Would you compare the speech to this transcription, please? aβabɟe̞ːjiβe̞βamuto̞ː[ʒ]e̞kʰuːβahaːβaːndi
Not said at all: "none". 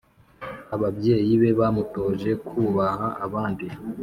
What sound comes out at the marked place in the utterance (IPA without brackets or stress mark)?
ʒ